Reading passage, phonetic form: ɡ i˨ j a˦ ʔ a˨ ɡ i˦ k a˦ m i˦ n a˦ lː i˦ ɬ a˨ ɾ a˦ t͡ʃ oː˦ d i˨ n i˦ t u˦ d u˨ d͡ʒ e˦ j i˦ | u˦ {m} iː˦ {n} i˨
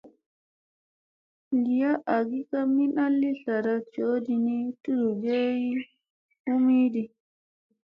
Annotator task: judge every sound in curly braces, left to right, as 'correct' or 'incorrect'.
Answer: correct, incorrect

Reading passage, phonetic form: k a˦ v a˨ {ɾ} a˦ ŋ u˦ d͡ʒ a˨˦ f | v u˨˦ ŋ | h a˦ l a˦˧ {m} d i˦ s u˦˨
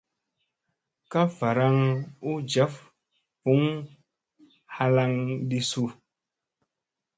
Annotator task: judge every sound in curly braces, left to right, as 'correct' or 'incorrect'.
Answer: correct, incorrect

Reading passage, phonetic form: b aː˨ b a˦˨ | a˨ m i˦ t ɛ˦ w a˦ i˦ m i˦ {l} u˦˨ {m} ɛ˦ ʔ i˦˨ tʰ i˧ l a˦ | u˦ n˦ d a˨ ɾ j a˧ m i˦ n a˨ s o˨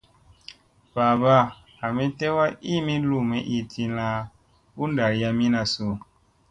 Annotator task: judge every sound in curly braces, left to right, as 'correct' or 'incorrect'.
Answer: correct, correct

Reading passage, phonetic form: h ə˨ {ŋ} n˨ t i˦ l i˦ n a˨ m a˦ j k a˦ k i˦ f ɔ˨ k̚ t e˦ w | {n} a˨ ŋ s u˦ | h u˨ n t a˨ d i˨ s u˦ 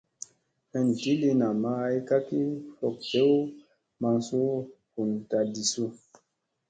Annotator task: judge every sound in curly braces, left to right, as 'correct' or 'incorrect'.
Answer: incorrect, incorrect

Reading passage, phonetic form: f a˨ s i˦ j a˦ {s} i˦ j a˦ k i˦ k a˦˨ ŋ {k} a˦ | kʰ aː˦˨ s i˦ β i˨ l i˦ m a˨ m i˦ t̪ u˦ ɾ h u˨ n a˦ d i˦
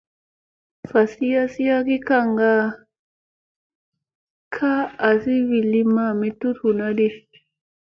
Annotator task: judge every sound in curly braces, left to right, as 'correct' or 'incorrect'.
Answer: correct, incorrect

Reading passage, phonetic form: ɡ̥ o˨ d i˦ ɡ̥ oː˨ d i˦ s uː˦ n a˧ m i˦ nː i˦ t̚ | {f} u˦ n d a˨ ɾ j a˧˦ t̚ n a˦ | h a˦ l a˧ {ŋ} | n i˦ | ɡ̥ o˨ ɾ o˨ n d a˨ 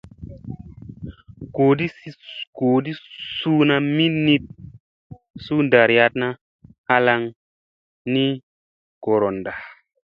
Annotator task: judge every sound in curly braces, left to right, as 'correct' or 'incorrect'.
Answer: incorrect, correct

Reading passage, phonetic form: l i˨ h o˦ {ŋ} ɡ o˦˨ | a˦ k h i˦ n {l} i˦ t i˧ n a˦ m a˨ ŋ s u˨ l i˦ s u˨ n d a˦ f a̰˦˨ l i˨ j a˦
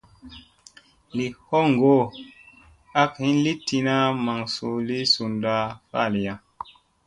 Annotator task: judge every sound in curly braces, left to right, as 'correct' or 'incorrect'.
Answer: correct, correct

